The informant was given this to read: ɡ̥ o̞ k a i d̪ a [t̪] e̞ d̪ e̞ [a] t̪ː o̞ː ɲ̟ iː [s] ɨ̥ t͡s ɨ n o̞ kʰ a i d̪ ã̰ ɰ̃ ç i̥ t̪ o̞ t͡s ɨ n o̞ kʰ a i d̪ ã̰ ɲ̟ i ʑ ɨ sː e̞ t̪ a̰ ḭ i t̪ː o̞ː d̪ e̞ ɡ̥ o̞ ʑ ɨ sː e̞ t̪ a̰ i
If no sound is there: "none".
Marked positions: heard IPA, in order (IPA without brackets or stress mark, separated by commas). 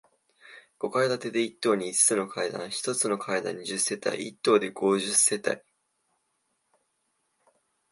t̪, i, t͡s